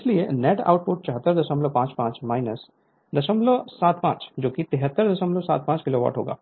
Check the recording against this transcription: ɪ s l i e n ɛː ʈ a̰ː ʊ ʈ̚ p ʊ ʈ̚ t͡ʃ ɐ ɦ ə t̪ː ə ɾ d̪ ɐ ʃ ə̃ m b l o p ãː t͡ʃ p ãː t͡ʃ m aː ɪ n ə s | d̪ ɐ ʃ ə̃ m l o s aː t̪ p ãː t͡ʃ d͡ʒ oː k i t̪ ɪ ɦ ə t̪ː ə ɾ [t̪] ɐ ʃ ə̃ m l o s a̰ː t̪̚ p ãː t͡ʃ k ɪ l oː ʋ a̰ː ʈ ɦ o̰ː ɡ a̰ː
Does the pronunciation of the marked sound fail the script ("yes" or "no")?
yes